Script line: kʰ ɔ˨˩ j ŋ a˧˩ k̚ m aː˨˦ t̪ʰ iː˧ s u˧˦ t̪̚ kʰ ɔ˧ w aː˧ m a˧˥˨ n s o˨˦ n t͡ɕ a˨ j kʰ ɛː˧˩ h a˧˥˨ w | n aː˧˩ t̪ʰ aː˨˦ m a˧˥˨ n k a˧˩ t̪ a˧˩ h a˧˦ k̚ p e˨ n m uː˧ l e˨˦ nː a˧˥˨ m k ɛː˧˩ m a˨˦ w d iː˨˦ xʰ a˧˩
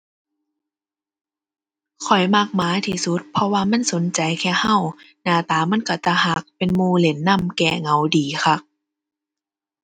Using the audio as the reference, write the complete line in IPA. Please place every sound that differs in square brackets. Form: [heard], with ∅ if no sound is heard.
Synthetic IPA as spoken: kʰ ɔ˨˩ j [m] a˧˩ k̚ m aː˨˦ t̪ʰ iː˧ s u˧˦ t̪̚ [pʰ] ɔ˧ w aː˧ m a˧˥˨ n s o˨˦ n t͡ɕ a˨ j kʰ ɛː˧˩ h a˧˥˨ w | n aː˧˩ [t̪] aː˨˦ m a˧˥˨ n k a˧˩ t̪ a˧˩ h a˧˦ k̚ p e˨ n m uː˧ l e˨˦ nː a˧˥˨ m k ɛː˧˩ [ŋ] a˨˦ w d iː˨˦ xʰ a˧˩

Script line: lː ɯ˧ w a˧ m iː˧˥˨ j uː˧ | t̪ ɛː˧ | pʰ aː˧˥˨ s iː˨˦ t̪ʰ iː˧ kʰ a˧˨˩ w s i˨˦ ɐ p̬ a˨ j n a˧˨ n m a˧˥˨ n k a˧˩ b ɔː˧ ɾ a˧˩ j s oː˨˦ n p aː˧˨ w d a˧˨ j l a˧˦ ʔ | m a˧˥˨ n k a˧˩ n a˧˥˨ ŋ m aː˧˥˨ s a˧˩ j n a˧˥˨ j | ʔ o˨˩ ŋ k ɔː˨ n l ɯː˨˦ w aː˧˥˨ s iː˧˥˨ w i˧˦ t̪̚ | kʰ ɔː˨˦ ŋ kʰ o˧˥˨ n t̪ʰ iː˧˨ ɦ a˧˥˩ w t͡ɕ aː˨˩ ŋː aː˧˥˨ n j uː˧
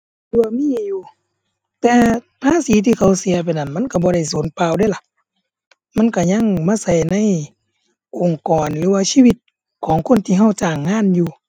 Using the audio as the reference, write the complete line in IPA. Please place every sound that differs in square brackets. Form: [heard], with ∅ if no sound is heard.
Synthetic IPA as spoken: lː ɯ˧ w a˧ m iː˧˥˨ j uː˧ | t̪ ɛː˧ | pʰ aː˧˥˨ s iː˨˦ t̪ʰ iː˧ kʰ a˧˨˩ w s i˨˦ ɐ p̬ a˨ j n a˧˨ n m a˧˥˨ n k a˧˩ b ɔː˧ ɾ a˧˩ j s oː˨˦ n p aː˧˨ w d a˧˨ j l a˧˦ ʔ | m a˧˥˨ n k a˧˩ [ɲ] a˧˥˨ ŋ m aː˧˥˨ s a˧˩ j n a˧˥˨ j | ʔ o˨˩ ŋ k ɔː˨ n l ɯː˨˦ w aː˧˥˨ s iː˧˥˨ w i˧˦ t̪̚ | kʰ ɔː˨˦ ŋ kʰ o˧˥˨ n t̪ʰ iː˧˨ ɦ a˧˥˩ w t͡ɕ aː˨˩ ŋː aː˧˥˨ n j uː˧

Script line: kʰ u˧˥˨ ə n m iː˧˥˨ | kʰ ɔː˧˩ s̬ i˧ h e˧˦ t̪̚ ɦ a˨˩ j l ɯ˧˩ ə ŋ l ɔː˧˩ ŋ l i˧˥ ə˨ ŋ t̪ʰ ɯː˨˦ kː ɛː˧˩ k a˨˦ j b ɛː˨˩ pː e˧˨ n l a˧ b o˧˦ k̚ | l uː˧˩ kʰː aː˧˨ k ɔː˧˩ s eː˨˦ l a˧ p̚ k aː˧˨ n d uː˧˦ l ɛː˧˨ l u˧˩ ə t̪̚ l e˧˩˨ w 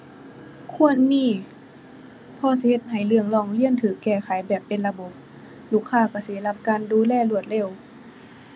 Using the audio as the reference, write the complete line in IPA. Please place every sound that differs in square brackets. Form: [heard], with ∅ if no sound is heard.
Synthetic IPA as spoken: kʰ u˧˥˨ ə n m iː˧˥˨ | [pʰ] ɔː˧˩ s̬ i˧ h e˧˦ t̪̚ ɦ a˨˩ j l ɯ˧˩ ə ŋ l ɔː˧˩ ŋ l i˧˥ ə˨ [n] t̪ʰ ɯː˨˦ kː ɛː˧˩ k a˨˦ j b ɛː˨˩ pː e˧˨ n l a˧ b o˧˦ [p̚] | l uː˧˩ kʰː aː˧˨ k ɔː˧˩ s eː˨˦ l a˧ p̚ k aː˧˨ n d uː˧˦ l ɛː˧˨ l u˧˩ ə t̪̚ l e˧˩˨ w

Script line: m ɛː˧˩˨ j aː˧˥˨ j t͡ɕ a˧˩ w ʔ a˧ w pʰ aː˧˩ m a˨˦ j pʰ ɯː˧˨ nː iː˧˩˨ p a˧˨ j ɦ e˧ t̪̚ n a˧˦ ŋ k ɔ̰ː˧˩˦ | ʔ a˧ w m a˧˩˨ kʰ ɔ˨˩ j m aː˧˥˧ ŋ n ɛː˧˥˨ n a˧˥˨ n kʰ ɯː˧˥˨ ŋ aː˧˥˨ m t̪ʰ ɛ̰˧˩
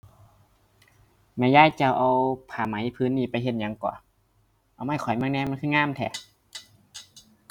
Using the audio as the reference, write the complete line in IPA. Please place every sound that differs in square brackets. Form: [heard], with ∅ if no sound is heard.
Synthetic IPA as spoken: m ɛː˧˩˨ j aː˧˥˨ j t͡ɕ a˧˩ w ʔ a˧ w pʰ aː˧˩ m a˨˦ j pʰ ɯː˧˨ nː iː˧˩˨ p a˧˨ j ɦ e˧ t̪̚ [ɲ] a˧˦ ŋ k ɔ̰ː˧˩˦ | ʔ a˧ w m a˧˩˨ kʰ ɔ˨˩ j m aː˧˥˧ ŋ n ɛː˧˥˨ [m] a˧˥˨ n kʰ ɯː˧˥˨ ŋ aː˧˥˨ m t̪ʰ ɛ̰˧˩

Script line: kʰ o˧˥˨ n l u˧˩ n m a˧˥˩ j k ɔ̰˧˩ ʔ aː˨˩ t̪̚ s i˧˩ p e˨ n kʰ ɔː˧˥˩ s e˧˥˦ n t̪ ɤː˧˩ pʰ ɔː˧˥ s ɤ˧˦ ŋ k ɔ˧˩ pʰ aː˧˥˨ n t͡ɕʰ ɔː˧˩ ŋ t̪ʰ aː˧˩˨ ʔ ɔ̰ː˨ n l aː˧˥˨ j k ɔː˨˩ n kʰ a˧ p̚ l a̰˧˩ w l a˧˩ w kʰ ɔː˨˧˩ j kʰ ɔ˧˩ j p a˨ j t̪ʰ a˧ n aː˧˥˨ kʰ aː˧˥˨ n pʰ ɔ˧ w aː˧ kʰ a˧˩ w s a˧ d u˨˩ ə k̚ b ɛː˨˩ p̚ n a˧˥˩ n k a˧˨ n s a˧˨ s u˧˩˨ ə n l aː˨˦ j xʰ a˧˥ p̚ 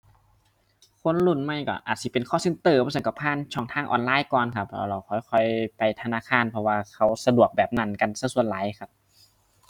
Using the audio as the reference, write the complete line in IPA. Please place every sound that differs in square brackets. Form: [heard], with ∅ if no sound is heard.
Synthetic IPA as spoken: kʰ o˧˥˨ n l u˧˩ n m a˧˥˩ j k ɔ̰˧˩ ʔ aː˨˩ t̪̚ s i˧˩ p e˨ n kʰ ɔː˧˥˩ s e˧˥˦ n t̪ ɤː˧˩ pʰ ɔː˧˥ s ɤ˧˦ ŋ k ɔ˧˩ pʰ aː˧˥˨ n t͡ɕʰ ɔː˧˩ ŋ t̪ʰ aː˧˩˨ ʔ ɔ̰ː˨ n l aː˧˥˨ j k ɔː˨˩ n kʰ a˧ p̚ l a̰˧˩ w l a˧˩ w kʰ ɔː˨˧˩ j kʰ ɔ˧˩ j p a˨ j t̪ʰ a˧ n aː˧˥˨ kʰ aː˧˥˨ n pʰ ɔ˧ w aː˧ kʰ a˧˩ w s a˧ d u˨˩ ə k̚ b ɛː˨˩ p̚ n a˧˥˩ n k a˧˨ n s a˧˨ s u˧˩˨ ə n l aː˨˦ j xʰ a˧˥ p̚

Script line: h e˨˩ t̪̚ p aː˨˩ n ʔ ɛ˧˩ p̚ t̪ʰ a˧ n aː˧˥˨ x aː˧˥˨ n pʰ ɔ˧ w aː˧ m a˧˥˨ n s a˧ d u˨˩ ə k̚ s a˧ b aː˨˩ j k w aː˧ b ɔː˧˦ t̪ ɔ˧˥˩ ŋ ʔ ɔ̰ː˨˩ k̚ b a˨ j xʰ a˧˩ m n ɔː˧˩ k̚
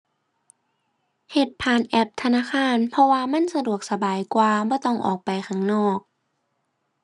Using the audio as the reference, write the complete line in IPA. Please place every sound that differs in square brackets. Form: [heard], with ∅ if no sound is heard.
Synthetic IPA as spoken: h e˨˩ t̪̚ [pʰ] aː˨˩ n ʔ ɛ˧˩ p̚ t̪ʰ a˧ n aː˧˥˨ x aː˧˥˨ n pʰ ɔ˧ w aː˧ m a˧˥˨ n s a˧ d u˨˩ ə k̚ s a˧ b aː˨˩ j k w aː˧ b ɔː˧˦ t̪ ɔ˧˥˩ ŋ ʔ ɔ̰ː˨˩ k̚ [p] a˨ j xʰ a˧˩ [ŋ] n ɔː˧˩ k̚

